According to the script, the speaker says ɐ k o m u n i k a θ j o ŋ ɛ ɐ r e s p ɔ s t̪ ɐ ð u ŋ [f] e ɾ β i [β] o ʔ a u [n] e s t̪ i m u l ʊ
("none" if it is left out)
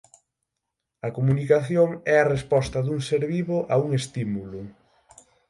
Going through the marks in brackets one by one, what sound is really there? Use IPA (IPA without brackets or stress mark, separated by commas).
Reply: s, β, ŋ